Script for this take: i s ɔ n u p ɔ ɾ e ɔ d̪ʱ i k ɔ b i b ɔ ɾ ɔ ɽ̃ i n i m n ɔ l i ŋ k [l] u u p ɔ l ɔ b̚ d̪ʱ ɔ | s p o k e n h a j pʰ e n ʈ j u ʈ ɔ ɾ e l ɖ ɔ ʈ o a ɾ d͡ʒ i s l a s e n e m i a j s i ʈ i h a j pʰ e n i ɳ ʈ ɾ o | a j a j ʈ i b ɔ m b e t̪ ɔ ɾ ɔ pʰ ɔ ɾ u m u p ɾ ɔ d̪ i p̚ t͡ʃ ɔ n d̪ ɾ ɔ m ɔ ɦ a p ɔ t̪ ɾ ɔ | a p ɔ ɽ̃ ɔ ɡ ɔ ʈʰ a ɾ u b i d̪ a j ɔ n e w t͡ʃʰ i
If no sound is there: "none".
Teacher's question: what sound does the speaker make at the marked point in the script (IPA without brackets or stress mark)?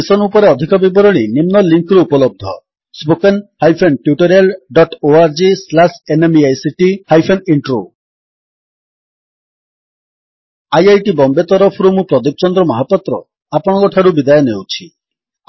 ɾ